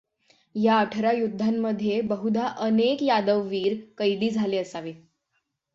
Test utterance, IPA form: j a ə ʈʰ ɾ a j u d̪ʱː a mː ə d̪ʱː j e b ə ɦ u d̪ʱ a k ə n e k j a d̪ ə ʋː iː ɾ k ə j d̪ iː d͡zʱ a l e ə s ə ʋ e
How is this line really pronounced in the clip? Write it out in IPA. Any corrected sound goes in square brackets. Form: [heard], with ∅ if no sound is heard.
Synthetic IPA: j a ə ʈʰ ɾ a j u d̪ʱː a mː ə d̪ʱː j e b ə ɦ u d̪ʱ a [ʔ] ə n e k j a d̪ ə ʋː iː ɾ k ə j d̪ iː d͡zʱ a l e ə s [a] ʋ e